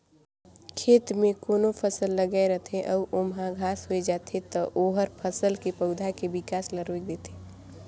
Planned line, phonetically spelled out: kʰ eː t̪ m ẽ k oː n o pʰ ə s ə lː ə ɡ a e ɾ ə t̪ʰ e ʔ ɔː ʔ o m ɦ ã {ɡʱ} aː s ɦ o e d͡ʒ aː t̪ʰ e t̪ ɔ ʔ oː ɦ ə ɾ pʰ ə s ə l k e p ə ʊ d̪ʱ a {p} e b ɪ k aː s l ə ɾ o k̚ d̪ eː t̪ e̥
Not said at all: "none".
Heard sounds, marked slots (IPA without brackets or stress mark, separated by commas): ɡʱ, k